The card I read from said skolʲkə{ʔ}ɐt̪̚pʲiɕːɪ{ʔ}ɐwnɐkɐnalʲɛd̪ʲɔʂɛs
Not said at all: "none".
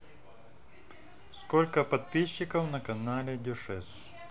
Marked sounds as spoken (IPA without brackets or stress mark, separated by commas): p, k